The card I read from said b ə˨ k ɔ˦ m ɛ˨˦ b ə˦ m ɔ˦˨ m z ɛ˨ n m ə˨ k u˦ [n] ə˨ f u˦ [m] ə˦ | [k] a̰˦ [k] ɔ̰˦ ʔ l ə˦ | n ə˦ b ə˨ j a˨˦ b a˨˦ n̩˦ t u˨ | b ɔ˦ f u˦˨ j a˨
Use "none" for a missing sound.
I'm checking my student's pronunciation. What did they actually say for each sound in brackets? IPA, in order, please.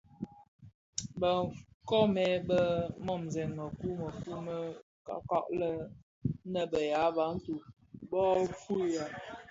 m, m, k, k

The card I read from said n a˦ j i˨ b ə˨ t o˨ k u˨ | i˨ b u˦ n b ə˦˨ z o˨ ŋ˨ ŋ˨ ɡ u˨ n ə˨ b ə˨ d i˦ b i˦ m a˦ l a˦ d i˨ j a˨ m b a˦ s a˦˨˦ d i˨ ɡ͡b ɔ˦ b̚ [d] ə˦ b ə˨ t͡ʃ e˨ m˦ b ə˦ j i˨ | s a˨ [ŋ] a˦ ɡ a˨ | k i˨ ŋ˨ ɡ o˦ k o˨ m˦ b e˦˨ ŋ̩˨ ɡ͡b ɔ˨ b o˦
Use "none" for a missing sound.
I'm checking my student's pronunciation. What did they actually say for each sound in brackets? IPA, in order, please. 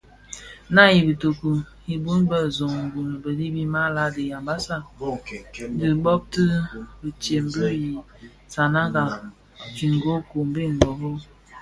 t, n

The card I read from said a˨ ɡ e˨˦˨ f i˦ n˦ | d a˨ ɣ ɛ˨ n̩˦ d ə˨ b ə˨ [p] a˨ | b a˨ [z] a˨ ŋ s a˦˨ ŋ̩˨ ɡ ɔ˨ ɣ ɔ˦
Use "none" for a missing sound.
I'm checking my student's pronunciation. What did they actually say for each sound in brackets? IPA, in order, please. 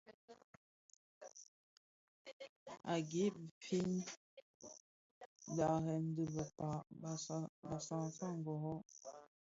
p, s

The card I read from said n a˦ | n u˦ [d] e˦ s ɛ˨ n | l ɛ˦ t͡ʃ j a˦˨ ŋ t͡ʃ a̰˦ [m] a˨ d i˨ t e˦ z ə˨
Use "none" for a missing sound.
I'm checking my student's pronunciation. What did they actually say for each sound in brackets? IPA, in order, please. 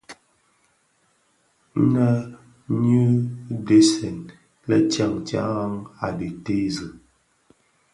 d, ŋ

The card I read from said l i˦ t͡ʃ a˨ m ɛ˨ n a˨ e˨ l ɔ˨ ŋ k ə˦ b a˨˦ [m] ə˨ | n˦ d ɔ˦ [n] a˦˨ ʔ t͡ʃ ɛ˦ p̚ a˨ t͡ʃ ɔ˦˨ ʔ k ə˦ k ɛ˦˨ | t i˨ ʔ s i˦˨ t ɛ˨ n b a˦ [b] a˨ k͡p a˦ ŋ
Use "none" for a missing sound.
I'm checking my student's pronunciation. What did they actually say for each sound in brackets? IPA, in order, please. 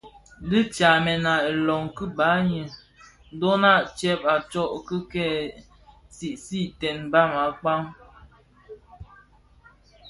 ɲ, n, m

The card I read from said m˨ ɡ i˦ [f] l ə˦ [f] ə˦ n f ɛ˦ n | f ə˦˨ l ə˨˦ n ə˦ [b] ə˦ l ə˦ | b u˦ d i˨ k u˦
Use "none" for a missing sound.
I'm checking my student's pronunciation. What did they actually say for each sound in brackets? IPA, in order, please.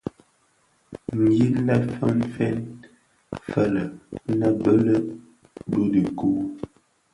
none, f, b

